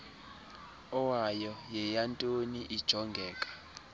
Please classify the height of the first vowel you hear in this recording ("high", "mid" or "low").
mid